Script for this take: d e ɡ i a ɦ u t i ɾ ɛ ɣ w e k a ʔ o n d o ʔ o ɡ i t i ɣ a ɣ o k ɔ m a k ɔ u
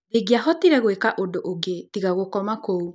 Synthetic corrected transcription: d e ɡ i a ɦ ɔ t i ɾ ɛ ɣ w e k a ʔ o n d o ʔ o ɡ e t i ɣ a ɣ o k ɔ m a k o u